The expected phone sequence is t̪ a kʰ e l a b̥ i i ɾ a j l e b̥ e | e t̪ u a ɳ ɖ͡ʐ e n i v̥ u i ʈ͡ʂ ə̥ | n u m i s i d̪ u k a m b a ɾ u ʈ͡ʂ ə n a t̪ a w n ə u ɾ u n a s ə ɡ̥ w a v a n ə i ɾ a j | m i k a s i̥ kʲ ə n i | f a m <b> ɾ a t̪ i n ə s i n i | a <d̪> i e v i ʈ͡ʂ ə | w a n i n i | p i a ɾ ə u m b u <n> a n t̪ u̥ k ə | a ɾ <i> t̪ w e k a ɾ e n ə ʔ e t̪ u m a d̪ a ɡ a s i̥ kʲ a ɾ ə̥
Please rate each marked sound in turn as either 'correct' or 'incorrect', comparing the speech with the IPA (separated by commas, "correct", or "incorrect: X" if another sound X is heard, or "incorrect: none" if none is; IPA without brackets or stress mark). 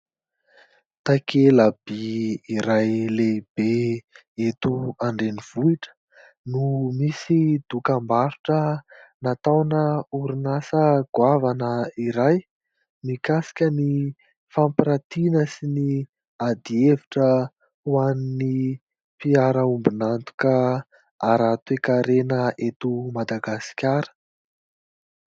incorrect: p, correct, correct, incorrect: a